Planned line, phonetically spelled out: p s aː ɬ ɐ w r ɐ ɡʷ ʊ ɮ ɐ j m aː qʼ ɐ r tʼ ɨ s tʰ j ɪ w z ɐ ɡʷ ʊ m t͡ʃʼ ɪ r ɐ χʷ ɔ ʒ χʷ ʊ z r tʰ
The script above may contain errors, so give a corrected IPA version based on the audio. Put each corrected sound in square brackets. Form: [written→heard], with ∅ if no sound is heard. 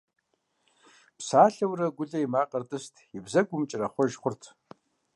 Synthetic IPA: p s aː ɬ ɐ w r ɐ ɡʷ ʊ ɮ ɐ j m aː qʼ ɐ r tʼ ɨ s tʰ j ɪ [w→b] z ɐ ɡʷ ʊ m t͡ʃʼ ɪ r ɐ χʷ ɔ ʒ χʷ ʊ [z→∅] r tʰ